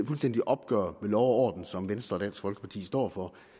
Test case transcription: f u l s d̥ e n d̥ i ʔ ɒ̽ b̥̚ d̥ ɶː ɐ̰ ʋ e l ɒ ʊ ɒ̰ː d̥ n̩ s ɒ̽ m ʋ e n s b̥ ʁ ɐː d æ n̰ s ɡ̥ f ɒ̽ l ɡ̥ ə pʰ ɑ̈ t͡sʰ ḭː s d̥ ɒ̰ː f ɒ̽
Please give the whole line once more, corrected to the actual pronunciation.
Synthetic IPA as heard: f u l s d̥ e n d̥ i ʔ ɒ̽ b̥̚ ɡ̥ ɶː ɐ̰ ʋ e l ɒ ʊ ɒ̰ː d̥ n̩ s ɒ̽ m ʋ e n s d̥ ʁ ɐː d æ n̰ s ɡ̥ f ɒ̽ l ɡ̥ ə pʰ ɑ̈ t͡sʰ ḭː s d̥ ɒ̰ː f ɒ̽